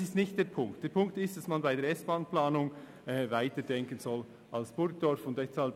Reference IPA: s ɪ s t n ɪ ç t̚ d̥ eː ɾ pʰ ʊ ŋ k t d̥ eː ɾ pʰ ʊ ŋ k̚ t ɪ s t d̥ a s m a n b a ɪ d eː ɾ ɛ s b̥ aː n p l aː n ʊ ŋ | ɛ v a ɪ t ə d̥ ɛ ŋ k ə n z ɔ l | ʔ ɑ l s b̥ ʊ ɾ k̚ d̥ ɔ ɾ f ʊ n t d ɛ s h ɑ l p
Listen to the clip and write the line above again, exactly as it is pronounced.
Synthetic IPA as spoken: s ɪ s t n ɪ ç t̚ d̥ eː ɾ pʰ ʊ ŋ k t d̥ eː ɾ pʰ ʊ ŋ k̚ t ɪ s t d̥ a s m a n b a ɪ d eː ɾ ɛ s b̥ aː n p l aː n ʊ ŋ | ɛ v a ɪ t ə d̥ ɛ ŋ k ə n z ɔ l | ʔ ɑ l s b̥ ʊ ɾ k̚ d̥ ɔ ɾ f ʊ n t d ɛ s h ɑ l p